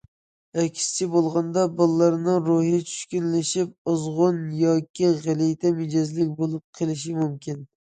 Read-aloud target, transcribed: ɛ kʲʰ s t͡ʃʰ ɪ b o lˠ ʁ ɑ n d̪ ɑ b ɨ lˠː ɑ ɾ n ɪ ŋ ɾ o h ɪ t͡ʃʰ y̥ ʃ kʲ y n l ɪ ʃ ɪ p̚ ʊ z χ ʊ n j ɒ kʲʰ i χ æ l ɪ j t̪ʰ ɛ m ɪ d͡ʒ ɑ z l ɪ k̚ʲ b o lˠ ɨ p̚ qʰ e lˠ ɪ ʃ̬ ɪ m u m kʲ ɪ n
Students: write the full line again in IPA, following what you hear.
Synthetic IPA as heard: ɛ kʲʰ s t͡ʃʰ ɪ b o lˠ ʁ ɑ n d̪ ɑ b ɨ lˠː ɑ ɾ n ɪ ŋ ɾ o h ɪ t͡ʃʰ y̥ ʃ kʲ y n l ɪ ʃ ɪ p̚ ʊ z ʁ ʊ n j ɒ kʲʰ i ʁ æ l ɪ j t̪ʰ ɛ m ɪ d͡ʒ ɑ z l ɪ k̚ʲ b o lˠ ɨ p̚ qʰ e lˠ ɪ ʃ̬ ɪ m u m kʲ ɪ n